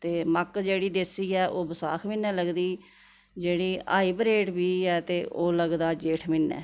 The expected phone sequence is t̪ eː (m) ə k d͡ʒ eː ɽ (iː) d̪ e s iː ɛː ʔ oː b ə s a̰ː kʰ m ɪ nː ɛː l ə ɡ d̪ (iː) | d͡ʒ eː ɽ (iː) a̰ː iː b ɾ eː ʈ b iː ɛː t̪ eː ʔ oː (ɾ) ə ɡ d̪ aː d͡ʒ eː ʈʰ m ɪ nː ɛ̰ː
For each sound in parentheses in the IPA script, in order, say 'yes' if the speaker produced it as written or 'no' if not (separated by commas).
yes, yes, yes, yes, no